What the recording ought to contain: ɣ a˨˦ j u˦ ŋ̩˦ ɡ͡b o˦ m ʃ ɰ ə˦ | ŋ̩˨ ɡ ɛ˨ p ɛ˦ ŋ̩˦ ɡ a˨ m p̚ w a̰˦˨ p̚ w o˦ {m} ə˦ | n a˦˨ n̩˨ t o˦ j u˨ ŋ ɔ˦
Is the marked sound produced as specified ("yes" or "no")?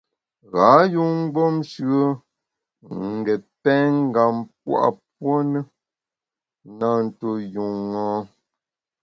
no